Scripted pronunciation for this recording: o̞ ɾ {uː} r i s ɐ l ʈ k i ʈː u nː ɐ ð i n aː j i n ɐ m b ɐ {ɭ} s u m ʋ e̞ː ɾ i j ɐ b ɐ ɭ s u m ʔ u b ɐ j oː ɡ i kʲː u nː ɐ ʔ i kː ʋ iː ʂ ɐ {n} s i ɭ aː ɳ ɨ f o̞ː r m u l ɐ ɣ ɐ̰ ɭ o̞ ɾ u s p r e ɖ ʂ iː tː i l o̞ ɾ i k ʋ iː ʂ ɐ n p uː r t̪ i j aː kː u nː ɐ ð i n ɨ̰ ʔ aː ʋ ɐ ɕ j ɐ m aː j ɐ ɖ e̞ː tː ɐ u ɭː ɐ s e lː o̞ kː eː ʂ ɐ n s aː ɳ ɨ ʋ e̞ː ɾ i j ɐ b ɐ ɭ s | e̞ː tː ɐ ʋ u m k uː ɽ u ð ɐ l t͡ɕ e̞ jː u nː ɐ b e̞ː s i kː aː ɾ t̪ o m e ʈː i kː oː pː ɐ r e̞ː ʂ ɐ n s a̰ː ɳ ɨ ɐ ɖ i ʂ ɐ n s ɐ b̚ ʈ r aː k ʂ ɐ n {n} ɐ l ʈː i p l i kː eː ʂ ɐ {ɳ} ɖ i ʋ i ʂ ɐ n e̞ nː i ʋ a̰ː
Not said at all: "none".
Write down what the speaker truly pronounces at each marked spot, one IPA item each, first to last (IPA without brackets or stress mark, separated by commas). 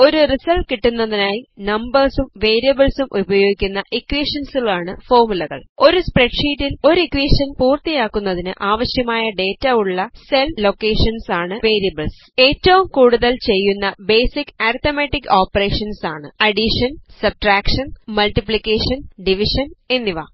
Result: u, r, n, m, n